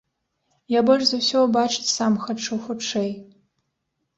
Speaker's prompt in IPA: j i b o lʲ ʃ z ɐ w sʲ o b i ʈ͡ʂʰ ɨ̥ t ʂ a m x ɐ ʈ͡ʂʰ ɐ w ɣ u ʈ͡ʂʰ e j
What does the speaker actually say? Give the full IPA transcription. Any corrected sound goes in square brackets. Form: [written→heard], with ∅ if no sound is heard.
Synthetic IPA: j [i→a] b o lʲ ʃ z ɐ w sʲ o b [i→a] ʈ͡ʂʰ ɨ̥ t [ʂ→s] a m x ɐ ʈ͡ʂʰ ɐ w [ɣ→x] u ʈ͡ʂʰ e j